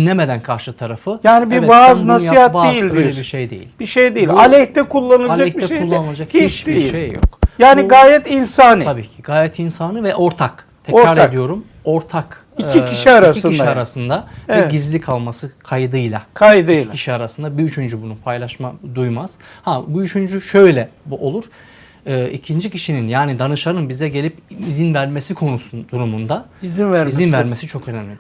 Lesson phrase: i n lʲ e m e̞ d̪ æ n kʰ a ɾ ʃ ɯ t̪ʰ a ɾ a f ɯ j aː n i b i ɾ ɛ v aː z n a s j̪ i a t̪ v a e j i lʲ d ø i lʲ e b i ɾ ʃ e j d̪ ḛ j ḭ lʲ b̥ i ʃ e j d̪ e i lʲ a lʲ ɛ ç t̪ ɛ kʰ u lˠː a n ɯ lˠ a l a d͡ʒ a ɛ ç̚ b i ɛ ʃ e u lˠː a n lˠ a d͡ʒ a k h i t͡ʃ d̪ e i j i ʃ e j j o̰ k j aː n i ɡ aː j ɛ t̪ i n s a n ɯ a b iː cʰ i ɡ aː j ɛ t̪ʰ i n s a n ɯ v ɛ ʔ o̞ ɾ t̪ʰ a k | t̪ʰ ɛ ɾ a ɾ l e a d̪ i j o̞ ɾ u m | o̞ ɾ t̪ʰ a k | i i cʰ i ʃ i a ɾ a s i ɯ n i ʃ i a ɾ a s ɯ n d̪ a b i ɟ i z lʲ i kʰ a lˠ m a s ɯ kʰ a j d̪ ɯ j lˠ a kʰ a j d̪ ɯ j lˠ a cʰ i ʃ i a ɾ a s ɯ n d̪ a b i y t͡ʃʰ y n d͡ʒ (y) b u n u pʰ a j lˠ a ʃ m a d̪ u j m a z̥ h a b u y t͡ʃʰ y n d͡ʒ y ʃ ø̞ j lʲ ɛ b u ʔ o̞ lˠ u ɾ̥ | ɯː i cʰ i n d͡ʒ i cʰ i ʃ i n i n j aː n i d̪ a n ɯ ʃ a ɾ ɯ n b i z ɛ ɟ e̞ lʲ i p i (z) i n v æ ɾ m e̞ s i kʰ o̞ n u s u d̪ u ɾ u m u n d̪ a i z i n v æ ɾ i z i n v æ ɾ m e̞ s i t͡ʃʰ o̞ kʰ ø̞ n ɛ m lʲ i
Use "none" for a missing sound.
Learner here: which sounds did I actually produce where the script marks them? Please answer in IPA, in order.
y, z

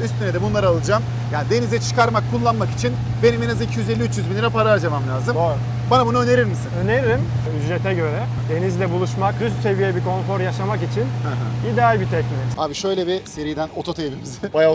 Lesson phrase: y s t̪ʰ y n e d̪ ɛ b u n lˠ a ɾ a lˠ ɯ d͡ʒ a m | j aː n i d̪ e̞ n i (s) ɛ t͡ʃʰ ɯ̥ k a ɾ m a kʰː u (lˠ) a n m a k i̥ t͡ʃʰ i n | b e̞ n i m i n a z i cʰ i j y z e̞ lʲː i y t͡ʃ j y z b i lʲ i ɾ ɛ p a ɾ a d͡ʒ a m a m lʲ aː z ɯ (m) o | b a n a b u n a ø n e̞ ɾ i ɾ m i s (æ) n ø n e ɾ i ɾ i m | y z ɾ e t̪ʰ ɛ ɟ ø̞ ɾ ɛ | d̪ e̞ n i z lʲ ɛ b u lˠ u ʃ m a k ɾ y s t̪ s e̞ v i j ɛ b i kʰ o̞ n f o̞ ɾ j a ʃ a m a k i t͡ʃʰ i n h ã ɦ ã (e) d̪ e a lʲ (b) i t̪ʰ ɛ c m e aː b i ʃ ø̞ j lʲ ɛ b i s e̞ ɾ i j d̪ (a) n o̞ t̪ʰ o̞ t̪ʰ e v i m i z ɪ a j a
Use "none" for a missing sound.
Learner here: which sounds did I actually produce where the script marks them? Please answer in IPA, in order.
z, lˠː, m, i, i, b, æ

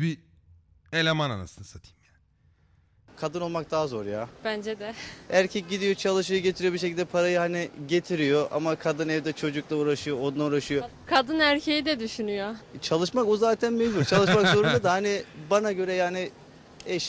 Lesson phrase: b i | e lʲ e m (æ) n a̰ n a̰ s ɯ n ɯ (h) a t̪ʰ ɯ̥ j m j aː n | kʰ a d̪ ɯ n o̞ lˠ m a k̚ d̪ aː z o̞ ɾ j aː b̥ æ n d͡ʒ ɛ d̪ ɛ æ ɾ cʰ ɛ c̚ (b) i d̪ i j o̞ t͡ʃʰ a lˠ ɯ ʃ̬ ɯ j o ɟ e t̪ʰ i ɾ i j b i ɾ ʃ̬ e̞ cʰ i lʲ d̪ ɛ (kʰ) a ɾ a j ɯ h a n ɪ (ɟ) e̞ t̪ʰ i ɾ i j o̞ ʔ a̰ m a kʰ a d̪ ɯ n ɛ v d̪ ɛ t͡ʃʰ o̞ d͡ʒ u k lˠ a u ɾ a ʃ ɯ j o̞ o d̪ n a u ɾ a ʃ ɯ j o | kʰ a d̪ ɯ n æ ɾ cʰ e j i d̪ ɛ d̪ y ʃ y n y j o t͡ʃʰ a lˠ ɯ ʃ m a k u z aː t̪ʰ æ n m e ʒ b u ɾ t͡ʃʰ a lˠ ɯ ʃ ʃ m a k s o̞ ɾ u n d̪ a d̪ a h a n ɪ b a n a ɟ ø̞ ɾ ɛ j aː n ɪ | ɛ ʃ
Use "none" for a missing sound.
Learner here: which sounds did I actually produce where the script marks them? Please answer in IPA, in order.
a, s, ɟ, pʰ, ɟ

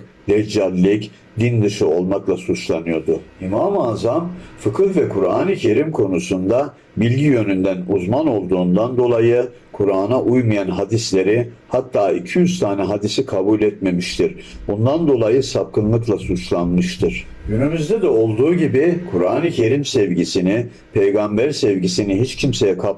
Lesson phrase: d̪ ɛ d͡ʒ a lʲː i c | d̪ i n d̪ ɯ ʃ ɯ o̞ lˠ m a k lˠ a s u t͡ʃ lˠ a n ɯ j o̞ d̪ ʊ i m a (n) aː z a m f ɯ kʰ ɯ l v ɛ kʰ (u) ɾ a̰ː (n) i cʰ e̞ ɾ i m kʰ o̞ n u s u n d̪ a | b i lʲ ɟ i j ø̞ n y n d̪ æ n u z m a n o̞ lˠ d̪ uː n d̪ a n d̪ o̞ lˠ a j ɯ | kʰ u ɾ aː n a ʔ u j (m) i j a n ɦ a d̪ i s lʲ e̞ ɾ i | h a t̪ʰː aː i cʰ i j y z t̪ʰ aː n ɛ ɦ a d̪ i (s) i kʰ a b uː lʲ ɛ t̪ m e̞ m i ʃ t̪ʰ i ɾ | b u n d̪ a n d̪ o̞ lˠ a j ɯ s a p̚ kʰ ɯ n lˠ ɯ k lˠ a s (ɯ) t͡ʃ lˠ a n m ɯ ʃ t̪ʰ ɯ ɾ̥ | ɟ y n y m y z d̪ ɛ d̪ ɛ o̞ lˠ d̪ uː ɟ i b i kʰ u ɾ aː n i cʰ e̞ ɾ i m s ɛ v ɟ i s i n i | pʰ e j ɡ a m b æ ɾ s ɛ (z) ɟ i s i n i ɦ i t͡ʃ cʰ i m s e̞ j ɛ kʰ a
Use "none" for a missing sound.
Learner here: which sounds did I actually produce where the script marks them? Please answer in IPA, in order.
m, u, n, m, s, u, v

